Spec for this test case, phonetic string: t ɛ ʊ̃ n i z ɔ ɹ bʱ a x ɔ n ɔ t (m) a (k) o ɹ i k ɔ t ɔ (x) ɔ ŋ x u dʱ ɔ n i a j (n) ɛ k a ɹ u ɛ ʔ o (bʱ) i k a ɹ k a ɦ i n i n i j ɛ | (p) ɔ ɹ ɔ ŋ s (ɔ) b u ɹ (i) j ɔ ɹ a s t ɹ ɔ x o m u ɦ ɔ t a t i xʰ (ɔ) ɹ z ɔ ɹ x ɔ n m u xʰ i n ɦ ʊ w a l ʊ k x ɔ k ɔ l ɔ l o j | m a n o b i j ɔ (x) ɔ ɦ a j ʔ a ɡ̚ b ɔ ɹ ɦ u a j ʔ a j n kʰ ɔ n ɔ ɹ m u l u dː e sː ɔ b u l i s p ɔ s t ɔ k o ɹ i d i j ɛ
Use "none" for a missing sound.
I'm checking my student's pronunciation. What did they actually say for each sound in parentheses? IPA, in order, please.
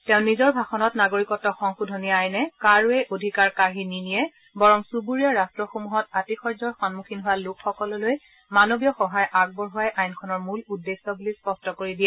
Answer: n, ɡ, x, n, dʱ, b, u, i, ɔ, x

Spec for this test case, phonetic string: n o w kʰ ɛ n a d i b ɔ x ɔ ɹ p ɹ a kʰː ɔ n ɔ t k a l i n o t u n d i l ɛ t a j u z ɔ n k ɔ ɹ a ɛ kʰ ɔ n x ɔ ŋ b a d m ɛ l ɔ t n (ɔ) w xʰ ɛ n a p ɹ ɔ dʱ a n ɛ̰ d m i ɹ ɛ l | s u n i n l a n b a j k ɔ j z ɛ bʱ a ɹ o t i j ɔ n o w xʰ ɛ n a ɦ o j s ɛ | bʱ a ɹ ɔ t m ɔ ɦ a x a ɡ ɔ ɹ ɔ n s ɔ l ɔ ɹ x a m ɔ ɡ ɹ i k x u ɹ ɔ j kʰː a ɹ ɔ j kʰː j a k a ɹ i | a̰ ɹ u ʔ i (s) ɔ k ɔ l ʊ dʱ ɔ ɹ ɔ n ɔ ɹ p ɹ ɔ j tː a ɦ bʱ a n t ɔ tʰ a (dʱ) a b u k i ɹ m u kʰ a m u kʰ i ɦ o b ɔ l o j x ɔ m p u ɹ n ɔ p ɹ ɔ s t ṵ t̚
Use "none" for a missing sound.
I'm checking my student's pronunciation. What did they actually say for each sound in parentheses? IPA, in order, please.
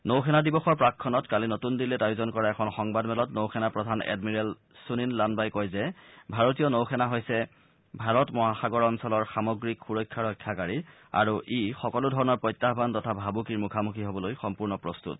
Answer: o, x, bʱ

